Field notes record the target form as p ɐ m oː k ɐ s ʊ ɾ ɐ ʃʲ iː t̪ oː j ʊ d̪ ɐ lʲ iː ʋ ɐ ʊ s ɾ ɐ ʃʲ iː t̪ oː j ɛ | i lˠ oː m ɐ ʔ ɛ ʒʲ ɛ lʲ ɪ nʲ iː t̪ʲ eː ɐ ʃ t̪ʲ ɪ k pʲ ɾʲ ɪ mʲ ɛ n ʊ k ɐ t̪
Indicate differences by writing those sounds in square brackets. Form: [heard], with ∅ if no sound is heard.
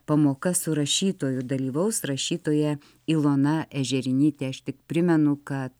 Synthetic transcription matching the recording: p ɐ m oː k ɐ s ʊ ɾ ɐ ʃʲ iː t̪ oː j ʊ d̪ ɐ lʲ iː ʋ ɐ ʊ s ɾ ɐ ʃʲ iː t̪ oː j ɛ | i lˠ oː [n] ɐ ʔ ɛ ʒʲ ɛ [ɾʲ] ɪ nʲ iː t̪ʲ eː ɐ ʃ t̪ʲ ɪ k pʲ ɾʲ ɪ mʲ ɛ n ʊ k ɐ t̪